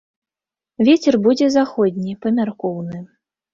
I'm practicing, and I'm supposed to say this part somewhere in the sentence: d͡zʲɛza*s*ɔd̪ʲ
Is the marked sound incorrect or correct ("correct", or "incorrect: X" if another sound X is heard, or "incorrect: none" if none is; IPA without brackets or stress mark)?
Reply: incorrect: x